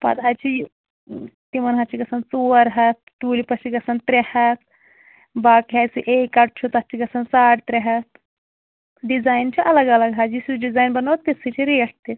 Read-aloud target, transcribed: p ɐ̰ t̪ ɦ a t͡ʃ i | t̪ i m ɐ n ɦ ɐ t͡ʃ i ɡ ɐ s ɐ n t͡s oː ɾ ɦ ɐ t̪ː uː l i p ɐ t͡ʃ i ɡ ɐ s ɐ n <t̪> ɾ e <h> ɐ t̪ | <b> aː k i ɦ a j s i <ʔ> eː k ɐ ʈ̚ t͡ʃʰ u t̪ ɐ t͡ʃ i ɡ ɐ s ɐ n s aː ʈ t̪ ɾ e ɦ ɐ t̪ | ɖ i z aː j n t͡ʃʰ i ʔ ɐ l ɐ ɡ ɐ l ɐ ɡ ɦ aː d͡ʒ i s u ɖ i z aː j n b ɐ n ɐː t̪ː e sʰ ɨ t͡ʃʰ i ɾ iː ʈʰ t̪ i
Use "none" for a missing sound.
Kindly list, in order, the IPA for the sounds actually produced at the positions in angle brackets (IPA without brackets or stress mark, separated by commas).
t̪, h, b, ʔ